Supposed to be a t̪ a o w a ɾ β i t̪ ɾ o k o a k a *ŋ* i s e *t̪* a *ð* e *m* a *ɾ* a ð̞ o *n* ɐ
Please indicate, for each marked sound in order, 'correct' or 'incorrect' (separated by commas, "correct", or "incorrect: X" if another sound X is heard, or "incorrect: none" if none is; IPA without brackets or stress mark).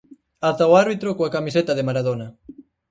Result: incorrect: m, correct, correct, correct, correct, correct